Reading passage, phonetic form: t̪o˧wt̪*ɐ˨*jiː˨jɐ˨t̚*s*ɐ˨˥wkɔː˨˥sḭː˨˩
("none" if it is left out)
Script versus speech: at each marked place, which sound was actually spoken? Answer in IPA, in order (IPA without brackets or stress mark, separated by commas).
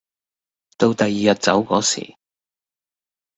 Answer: ɐ˨, t͡s